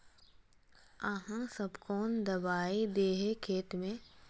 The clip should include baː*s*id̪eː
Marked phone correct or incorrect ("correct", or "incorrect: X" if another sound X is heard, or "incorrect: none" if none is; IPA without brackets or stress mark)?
incorrect: none